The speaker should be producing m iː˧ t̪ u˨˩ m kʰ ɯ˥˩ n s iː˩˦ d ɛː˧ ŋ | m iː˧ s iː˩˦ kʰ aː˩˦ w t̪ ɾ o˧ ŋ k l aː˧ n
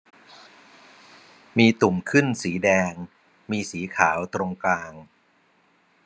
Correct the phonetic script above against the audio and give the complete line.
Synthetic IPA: m iː˧ t̪ u˨˩ m kʰ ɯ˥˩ n s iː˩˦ d ɛː˧ ŋ | m iː˧ s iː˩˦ kʰ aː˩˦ w t̪ ɾ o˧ ŋ k l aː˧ ŋ